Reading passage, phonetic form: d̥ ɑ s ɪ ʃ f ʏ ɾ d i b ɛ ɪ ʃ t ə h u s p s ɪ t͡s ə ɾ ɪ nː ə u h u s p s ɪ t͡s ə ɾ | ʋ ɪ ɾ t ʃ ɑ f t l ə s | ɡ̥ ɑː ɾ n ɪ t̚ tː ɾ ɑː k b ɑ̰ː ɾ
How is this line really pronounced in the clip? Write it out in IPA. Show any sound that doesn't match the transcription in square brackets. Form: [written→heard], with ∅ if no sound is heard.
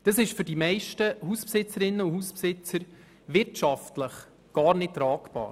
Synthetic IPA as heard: d̥ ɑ s ɪ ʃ f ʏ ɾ d i [b→m] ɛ ɪ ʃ t ə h u s p s ɪ t͡s ə ɾ ɪ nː ə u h u s p s ɪ t͡s ə ɾ | ʋ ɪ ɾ t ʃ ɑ f t l ə [s→χ] | ɡ̥ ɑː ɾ n ɪ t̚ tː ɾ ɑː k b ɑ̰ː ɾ

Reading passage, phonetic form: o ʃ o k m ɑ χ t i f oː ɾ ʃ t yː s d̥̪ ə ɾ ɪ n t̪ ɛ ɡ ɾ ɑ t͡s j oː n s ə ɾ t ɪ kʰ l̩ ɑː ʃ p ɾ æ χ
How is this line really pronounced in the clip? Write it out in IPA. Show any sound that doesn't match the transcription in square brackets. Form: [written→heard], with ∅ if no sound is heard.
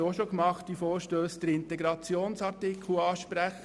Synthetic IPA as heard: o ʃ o k m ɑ χ t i f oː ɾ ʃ t [yː→øː] s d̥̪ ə ɾ ɪ n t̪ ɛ ɡ ɾ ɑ t͡s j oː n s [ə→ɑ] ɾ t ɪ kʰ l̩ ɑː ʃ p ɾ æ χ

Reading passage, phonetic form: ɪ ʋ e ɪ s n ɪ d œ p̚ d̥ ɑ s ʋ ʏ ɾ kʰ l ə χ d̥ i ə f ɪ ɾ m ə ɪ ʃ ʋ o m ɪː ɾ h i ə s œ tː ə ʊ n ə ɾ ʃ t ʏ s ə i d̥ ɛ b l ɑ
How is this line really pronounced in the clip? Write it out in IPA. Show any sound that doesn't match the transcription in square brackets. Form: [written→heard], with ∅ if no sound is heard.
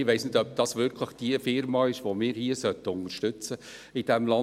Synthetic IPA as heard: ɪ ʋ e ɪ s n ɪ d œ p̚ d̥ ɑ s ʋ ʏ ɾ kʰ l ə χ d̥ i ə f ɪ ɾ m [ə→ɑ] ɪ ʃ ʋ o m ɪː ɾ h i ə s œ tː ə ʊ n ə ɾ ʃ t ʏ [s→t͡s] ə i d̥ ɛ [b→m] l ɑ

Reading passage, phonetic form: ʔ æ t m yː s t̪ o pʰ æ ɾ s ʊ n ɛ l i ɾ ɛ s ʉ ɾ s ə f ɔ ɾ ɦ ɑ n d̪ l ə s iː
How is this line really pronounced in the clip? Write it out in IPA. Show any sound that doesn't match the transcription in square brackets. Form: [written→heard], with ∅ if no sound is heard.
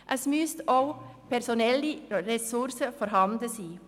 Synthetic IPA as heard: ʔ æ [t→s] m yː s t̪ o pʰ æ ɾ s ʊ n ɛ l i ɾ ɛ s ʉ ɾ s ə f ɔ ɾ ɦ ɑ n d̪ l ə s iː

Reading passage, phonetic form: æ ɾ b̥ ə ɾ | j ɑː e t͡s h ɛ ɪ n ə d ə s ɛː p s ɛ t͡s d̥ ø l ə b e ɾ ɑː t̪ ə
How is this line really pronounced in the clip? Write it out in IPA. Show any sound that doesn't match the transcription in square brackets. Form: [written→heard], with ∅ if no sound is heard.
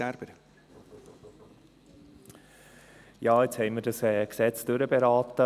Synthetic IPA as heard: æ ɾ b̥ ə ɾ | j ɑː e t͡s h ɛ ɪ [n→m] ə d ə s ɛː [p→k] s ɛ t͡s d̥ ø [l→ɾ] ə b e ɾ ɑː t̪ ə

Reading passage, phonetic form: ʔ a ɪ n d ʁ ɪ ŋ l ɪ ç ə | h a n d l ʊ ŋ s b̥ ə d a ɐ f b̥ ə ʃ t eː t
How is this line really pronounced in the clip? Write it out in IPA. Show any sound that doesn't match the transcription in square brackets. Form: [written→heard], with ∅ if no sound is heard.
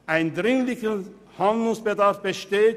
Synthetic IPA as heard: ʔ a ɪ n d ʁ ɪ ŋ l ɪ ç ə | h a n d l ʊ ŋ s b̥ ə d a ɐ f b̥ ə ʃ t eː t

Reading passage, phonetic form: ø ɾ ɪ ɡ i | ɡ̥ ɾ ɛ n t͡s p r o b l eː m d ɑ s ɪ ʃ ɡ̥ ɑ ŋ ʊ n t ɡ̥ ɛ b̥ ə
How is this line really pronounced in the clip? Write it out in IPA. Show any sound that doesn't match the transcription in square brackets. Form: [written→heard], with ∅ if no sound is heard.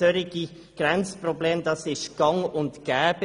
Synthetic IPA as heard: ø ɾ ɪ ɡ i | ɡ̥ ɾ ɛ n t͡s p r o b l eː m d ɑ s ɪ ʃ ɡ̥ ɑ ŋ ʊ n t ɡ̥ [ɛ→ɛː] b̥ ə

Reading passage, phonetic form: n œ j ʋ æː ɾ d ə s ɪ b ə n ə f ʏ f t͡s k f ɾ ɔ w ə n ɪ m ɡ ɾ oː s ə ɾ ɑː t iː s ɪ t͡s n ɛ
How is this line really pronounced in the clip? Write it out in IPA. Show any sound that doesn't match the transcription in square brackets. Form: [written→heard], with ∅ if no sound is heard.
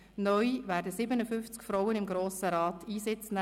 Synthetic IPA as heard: n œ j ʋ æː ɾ d ə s ɪ b ə n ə f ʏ f t͡s k f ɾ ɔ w ə n ɪ m ɡ ɾ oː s ə ɾ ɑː t iː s ɪ t͡s n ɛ

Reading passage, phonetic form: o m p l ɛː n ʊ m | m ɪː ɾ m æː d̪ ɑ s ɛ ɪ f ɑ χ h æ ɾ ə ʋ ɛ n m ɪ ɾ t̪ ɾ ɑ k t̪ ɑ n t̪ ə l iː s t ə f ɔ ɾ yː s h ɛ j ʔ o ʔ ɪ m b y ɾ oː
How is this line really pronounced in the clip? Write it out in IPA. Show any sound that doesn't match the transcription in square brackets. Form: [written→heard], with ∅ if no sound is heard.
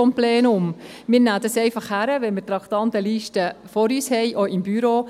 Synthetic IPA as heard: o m p l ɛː n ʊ m | m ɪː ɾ [m→n] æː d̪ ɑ s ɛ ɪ f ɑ χ h æ ɾ ə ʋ ɛ n m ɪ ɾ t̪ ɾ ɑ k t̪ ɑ n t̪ ə l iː [s→ʃ] t ə f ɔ ɾ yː s h ɛ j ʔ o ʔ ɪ m b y ɾ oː

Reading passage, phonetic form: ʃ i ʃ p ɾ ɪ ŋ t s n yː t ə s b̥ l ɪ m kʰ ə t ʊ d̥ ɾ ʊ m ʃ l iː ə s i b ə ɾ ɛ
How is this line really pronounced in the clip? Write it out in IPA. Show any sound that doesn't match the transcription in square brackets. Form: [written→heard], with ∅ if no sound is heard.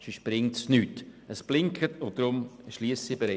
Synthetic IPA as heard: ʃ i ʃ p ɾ ɪ ŋ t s n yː t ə s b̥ l ɪ [m→ŋ] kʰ ə t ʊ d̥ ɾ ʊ m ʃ l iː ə s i b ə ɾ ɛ

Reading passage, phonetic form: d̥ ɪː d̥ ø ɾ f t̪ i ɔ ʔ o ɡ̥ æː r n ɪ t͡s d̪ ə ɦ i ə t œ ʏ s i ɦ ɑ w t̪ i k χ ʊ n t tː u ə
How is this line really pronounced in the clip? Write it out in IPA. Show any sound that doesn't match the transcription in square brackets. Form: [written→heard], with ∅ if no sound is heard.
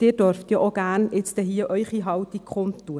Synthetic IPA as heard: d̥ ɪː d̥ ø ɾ f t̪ [i→j] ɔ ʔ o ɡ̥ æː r n ɪ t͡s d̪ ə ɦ i ə [t→ʔ] œ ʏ [s→χ] i ɦ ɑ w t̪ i k χ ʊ n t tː u ə

